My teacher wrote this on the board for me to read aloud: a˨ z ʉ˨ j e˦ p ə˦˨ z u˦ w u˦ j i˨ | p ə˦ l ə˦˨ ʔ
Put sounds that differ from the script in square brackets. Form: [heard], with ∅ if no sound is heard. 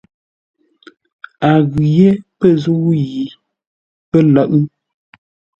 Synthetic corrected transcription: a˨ [ɣ] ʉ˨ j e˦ p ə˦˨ z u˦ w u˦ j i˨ | p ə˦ l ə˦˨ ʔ